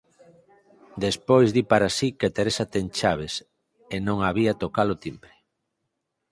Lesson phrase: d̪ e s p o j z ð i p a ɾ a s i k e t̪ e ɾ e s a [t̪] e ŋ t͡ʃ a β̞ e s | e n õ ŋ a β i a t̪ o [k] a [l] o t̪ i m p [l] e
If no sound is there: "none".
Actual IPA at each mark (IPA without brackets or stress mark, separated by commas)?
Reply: t̪, k, l, ɾ